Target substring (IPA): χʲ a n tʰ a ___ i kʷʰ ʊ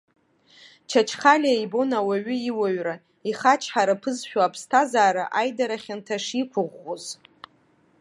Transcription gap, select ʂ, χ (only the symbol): ʂ